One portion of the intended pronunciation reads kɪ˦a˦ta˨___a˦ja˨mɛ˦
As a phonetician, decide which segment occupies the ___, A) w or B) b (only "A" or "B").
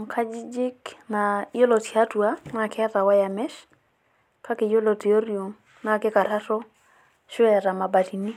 A